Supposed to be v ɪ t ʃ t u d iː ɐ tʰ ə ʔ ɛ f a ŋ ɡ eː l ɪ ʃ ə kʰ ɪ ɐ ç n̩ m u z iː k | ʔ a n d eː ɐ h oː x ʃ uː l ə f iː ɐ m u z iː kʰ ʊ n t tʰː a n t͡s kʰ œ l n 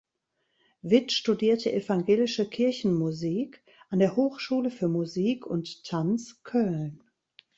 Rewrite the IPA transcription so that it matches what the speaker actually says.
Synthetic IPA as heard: v ɪ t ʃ t u d iː ɐ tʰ ə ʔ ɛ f a ŋ ɡ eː l ɪ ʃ ə kʰ ɪ ɐ ç n̩ m u z iː k | ʔ a n d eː ɐ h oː x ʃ uː l ə f yː ɐ m u z iː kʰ ʊ n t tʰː a n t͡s kʰ œ l n